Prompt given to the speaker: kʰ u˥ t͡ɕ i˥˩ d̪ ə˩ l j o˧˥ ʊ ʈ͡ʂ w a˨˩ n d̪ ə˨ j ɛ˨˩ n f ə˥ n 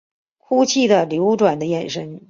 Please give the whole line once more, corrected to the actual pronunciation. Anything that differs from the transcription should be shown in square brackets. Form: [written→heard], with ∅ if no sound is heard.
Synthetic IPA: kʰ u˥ [t͡ɕ→t͡ɕʰ] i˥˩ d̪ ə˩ l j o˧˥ ʊ ʈ͡ʂ w a˨˩ n d̪ [ə˨→ə˦] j ɛ˨˩ n [f→ʂ] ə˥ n